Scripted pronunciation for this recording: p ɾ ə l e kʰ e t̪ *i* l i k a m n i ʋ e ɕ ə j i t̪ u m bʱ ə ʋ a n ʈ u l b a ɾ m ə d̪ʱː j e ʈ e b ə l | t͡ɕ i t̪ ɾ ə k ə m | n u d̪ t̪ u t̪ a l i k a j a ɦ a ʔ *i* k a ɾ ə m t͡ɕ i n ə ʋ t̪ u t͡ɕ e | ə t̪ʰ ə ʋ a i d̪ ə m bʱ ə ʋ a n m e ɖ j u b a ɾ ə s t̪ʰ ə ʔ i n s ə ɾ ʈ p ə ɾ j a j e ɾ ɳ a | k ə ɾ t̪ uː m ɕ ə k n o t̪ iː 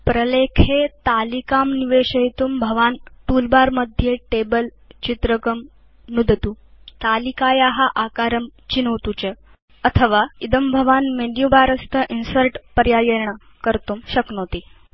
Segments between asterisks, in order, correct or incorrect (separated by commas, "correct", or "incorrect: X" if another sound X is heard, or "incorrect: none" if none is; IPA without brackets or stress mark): incorrect: a, incorrect: a